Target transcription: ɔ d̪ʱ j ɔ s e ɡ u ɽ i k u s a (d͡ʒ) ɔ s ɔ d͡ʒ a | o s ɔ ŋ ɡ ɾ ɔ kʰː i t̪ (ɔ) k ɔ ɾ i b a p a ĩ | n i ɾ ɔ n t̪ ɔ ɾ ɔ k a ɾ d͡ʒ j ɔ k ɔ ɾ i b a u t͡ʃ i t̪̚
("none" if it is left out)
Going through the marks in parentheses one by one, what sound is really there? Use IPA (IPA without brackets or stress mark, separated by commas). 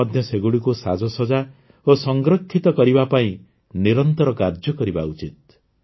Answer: d͡ʒ, ɔ